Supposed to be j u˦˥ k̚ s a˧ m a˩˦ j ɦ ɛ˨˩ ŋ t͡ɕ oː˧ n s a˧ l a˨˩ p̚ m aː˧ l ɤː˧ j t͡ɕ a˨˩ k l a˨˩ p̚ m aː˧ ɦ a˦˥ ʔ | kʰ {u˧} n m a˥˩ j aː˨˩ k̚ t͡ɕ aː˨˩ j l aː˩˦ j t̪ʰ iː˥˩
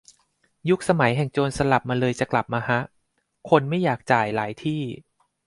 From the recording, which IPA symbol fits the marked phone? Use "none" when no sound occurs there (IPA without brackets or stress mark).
o˧